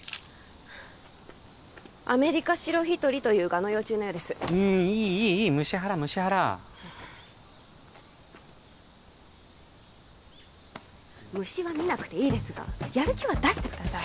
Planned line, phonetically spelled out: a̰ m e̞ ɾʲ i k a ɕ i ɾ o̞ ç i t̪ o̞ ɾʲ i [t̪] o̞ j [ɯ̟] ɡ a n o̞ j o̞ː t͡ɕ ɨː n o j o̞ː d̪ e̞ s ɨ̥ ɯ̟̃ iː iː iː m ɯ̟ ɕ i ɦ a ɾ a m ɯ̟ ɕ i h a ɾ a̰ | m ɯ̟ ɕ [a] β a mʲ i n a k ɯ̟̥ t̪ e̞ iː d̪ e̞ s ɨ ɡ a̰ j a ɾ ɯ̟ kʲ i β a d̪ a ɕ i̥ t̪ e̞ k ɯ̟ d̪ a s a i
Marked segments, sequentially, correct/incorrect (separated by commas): correct, incorrect, incorrect